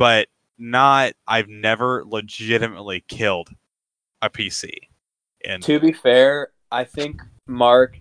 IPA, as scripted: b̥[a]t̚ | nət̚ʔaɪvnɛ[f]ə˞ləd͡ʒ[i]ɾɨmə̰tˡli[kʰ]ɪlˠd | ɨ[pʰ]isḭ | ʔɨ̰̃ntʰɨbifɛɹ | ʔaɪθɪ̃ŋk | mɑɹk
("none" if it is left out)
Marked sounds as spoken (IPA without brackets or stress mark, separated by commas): ʌ, v, ɪ, kʰ, pʰ